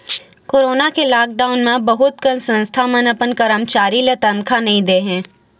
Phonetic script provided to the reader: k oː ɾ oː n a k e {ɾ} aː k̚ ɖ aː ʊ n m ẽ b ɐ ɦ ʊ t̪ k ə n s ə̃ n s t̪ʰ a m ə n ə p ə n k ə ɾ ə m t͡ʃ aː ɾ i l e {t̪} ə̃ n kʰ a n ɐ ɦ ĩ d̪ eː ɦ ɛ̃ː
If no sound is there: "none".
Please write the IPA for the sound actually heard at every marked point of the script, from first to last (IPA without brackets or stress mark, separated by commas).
l, t̪